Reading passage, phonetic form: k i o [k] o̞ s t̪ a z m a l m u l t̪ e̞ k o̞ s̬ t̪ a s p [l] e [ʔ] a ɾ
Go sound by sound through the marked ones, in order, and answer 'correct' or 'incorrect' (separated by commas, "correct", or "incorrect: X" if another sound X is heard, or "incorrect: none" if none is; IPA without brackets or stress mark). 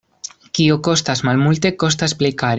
correct, correct, incorrect: k